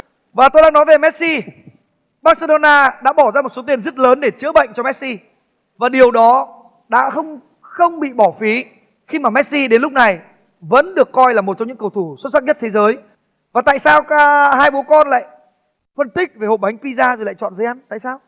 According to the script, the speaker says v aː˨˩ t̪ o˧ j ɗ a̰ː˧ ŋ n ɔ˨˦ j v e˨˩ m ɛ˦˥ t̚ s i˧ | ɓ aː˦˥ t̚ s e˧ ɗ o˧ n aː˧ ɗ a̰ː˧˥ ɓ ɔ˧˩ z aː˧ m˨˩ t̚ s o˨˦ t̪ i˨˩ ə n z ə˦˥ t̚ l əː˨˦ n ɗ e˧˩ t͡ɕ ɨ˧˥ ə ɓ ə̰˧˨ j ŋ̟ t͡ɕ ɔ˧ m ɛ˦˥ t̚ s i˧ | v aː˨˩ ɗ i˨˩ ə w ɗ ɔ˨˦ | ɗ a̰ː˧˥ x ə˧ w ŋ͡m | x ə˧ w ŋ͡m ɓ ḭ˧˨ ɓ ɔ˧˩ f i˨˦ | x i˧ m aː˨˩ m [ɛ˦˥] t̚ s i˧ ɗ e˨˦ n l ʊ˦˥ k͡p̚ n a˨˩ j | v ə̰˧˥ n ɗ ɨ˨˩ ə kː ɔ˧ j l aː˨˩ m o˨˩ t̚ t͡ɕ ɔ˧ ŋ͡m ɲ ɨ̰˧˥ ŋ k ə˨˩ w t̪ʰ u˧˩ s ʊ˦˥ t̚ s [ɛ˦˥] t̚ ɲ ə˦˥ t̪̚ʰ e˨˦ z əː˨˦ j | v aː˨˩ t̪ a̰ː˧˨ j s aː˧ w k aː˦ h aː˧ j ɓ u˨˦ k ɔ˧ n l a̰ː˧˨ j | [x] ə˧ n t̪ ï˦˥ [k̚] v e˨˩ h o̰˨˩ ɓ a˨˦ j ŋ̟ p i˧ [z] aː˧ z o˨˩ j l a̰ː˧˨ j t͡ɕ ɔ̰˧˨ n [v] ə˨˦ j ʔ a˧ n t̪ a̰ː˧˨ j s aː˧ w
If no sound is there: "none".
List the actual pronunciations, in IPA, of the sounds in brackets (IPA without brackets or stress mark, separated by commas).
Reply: ɛ˦˥, a˦˥, f, k̚, z, z